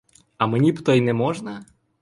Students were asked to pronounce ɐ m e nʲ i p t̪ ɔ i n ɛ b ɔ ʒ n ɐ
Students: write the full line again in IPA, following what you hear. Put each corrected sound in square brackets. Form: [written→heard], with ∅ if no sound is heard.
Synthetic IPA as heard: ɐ m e nʲ i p t̪ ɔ [i→j] n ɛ [b→m] ɔ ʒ n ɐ